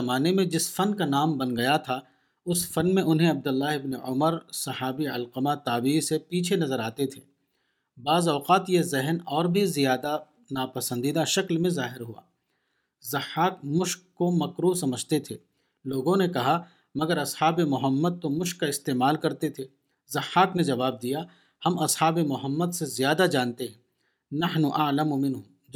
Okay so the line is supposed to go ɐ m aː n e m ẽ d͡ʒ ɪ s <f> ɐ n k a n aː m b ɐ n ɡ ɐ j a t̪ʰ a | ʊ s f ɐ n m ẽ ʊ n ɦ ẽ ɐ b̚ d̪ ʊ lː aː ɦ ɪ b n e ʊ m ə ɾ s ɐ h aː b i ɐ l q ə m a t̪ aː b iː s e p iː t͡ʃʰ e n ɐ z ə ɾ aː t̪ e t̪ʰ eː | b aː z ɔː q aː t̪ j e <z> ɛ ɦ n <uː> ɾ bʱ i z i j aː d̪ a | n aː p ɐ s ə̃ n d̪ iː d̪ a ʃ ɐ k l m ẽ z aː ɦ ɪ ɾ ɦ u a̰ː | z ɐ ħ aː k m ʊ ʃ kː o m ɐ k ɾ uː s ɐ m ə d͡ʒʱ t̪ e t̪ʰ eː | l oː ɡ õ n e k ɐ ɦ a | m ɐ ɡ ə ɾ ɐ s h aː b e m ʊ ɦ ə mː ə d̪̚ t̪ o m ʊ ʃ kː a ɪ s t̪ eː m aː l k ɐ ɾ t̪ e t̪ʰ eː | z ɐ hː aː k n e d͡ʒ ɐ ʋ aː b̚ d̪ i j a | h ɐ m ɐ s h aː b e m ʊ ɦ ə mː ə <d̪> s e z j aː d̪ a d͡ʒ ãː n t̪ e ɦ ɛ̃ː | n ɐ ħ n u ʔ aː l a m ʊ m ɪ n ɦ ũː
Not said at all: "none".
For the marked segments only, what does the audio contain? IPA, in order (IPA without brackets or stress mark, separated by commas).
f, z, ɔː, d̪